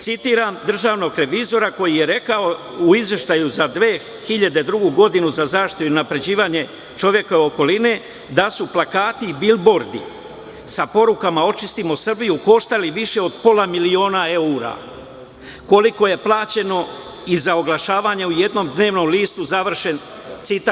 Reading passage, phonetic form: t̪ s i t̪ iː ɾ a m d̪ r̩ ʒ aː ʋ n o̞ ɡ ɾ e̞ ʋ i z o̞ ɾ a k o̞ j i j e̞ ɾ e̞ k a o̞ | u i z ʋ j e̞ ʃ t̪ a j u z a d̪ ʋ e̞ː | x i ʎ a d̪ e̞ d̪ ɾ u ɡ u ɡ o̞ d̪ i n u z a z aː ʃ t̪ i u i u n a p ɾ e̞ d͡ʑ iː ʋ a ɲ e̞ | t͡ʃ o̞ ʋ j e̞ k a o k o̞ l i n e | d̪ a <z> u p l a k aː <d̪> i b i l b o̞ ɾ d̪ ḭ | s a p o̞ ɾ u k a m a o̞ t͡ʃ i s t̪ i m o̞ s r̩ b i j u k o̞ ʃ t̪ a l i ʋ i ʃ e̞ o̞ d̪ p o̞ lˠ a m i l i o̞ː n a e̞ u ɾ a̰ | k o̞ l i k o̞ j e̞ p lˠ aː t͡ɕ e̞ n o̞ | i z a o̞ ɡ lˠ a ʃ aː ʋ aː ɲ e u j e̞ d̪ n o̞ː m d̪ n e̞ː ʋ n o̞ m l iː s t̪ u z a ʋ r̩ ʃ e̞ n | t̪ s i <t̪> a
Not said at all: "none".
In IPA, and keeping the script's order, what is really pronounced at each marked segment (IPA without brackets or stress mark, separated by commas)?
s, t̪, t̪